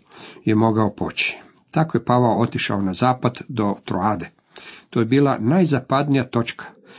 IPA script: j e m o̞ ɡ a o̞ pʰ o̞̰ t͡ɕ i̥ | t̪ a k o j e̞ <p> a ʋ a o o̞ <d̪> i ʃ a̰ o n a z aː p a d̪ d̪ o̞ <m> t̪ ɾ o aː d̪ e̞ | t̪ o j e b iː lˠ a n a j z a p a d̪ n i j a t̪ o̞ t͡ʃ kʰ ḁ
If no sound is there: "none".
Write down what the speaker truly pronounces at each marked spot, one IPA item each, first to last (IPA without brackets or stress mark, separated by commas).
p, t̪, none